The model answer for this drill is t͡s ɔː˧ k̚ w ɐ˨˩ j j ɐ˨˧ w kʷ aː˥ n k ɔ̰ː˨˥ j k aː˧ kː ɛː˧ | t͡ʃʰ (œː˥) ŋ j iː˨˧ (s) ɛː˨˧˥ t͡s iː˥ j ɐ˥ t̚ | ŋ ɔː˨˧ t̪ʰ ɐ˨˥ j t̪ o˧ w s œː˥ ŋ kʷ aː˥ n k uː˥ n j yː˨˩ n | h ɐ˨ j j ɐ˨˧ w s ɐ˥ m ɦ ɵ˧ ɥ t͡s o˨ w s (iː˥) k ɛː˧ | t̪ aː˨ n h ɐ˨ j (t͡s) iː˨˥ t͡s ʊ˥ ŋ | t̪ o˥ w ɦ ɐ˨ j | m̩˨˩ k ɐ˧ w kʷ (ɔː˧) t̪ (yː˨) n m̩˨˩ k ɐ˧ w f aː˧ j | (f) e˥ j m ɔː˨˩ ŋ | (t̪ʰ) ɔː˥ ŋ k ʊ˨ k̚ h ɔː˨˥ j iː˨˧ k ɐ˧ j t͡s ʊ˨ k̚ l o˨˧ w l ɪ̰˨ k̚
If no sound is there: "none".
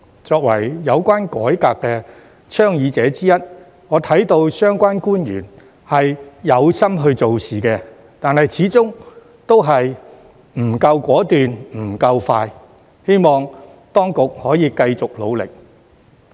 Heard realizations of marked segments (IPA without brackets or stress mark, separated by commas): œː˥, t͡s, iː˨, t͡sʰ, ɔː˨˥, yː˨, h, t̪